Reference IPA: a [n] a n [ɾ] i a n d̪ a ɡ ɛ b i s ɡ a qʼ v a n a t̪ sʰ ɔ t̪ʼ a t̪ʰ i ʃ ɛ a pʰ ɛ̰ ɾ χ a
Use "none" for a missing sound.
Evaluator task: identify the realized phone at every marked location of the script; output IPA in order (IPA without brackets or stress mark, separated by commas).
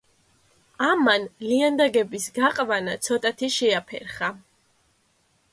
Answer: m, l